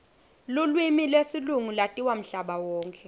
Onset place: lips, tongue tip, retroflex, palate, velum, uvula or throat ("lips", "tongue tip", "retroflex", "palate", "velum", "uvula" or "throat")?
tongue tip